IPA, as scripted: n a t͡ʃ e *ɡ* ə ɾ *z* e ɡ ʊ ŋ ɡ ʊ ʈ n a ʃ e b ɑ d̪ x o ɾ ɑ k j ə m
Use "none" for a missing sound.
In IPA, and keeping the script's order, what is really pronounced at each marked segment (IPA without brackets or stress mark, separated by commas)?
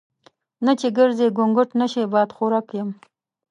ɡ, z